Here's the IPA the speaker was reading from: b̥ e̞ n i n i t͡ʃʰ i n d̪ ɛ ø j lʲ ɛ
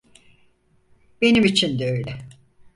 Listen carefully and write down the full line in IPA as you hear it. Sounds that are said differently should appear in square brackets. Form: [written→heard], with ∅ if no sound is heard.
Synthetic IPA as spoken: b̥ e̞ n i [n→m] i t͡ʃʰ i n d̪ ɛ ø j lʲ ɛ